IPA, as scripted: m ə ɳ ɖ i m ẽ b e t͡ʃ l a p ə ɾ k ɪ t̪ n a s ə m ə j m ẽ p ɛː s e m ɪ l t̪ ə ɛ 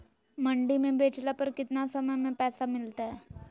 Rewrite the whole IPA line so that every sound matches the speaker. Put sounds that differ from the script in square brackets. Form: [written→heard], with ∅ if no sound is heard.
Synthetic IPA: m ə ɳ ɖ i m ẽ b e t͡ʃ l a p ə ɾ k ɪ t̪ n a s ə m ə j m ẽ p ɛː s [e→a] m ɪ l t̪ [ə→a] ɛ